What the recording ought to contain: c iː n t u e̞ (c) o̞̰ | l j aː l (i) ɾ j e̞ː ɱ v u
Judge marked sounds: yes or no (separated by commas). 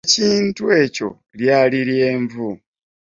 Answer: yes, yes